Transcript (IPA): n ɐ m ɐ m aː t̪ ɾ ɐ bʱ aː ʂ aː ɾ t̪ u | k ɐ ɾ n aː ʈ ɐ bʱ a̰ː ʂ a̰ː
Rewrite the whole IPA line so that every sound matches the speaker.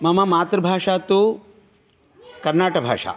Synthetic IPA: m ɐ m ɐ m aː t̪ ɾ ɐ bʱ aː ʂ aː t̪ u | k ɐ ɾ n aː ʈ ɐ bʱ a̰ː ʂ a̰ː